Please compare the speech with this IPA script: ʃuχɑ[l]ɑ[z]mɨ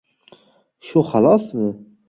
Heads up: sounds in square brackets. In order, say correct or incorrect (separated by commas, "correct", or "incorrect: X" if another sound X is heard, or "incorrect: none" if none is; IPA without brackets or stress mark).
correct, incorrect: s